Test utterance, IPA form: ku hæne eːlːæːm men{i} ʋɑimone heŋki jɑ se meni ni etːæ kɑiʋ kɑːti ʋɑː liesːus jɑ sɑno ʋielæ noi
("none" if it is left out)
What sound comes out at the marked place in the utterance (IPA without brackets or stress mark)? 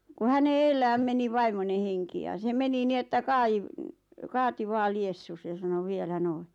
i